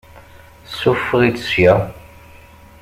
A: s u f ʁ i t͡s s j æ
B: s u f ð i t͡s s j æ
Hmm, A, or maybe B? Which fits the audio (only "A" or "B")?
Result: A